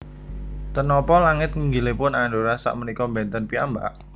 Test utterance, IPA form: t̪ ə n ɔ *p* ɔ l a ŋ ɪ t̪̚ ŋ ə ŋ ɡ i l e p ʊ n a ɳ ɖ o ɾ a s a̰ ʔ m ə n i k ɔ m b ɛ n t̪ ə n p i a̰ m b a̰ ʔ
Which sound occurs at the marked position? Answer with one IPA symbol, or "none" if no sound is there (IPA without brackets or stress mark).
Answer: p